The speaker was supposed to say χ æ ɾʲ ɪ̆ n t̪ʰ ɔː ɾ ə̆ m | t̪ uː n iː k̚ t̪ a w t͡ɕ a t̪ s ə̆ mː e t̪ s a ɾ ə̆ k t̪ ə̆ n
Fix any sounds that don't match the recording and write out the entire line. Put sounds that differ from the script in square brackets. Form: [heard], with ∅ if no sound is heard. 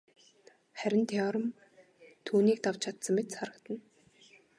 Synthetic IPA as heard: χ æ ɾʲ ɪ̆ n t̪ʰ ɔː ɾ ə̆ m | [t̪ʰ] uː n iː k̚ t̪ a w [t͡ɕʰ] a t̪ s ə̆ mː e t̪ s a ɾ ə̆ k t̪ ə̆ n

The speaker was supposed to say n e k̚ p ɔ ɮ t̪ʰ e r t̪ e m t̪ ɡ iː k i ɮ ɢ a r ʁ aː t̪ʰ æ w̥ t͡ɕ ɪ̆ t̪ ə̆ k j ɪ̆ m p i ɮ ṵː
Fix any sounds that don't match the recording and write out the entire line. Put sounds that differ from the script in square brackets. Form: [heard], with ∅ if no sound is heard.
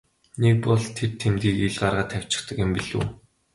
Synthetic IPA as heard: n e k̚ p ɔ ɮ t̪ʰ e r [t̪ʰ] e m t̪ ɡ iː k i ɮ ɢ a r ʁ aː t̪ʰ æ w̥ t͡ɕ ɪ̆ t̪ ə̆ k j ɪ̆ m p i ɮ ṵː

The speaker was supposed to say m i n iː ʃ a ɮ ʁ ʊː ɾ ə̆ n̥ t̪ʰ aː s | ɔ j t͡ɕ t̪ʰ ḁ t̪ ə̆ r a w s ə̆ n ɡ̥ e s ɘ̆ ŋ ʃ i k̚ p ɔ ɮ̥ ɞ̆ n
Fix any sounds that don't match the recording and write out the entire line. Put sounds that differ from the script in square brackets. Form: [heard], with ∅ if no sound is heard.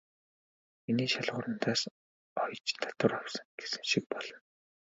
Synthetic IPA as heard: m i n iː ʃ a ɮ ʁ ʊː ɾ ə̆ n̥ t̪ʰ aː s | ɔ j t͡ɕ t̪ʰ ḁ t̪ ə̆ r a w s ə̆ [ŋ] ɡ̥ e s ɘ̆ ŋ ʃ i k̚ p ɔ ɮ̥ ɞ̆ n

